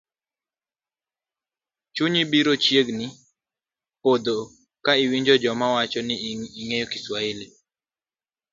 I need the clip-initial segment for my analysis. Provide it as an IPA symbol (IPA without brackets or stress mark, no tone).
t͡ʃ